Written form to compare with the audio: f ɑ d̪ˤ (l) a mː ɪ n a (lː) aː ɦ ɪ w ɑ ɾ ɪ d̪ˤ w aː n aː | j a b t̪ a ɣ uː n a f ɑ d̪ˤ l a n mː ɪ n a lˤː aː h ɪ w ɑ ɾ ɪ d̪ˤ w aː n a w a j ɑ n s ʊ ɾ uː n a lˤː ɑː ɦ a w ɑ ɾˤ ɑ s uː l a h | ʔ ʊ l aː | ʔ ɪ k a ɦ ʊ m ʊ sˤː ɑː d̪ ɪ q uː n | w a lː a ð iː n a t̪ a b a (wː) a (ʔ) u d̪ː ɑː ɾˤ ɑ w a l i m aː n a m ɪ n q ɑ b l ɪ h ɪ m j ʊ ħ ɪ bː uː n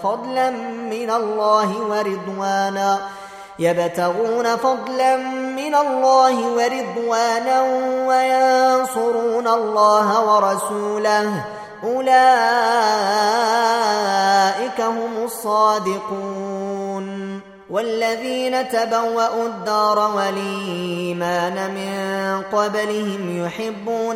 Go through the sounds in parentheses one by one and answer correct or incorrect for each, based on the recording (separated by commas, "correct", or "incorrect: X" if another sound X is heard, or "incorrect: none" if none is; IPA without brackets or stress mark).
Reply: correct, correct, correct, correct